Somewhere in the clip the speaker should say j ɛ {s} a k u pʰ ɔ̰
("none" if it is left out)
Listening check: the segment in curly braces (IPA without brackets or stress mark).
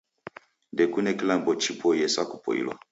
s